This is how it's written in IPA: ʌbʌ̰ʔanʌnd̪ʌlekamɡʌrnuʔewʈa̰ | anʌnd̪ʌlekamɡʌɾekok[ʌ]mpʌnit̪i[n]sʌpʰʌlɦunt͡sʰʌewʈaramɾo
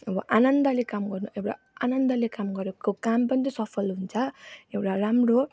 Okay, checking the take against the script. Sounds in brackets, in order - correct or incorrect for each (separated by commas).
incorrect, incorrect